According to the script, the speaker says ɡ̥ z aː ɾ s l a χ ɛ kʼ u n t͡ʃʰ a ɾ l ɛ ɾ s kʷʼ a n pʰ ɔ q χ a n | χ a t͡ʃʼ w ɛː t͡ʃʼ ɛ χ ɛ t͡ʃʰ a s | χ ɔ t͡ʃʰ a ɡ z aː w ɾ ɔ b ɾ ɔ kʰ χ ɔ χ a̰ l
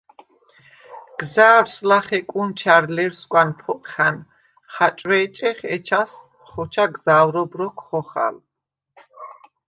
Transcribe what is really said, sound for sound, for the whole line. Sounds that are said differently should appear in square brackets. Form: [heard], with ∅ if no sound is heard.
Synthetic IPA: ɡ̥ z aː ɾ s l a χ ɛ kʼ u n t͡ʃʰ a ɾ l ɛ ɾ s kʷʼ a n pʰ ɔ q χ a n | χ a t͡ʃʼ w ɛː t͡ʃʼ ɛ χ ɛ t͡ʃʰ a s | χ ɔ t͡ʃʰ a ɡ z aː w ɾ ɔ b ɾ ɔ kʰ χ ɔ χ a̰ l